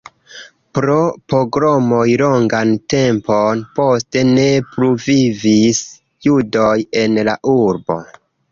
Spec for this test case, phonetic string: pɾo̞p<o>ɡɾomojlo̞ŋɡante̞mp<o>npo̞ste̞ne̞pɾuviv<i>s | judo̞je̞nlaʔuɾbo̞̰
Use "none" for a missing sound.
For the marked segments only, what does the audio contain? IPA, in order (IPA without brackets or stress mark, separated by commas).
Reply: o, o, i